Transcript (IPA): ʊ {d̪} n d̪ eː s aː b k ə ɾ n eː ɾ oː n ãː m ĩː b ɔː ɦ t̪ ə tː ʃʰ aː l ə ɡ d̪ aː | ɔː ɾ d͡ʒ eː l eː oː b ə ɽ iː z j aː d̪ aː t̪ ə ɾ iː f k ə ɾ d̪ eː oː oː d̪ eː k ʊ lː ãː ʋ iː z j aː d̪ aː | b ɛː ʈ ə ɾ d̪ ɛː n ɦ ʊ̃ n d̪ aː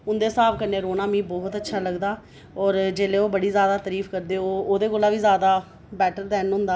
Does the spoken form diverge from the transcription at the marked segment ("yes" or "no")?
yes